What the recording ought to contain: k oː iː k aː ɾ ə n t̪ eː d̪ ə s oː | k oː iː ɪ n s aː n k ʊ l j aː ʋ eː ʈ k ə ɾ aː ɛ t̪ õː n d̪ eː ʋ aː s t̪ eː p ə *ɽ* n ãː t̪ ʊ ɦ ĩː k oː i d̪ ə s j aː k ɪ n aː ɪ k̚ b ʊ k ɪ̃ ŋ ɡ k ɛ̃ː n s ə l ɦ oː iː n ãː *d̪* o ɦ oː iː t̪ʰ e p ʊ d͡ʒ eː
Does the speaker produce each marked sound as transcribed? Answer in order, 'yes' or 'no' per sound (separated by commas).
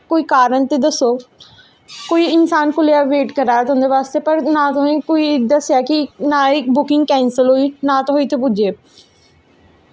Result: no, no